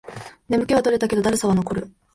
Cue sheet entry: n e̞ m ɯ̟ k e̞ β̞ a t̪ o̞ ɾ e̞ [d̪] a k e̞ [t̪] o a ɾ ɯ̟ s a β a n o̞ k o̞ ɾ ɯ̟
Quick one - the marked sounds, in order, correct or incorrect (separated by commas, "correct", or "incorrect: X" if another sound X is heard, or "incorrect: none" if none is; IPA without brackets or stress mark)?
incorrect: t̪, incorrect: d̪